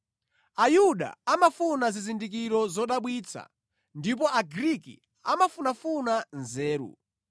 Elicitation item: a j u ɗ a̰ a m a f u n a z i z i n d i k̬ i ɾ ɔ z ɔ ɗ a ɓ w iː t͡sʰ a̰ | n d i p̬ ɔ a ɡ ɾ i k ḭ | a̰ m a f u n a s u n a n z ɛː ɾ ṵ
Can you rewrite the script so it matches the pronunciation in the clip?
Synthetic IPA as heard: a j u ɗ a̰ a m a f u n a z i z i n d i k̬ i ɾ ɔ z ɔ ɗ a ɓ w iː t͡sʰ a̰ | n d i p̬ ɔ a ɡ ɾ i k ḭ | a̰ m a f u n a f u n a n z ɛː ɾ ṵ